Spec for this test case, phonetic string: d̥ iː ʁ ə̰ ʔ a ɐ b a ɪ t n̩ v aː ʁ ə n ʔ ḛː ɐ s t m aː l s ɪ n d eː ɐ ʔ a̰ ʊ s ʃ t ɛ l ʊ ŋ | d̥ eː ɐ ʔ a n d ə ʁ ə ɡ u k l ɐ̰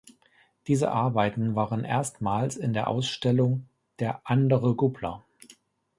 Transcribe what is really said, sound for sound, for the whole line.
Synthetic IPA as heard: d̥ iː z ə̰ ʔ a ɐ b a ɪ t n̩ v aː ʁ ə n ʔ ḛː ɐ s t m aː l s ɪ n d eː ɐ ʔ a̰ ʊ s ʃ t ɛ l ʊ ŋ | d̥ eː ɐ ʔ a n d ə ʁ ə ɡ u p l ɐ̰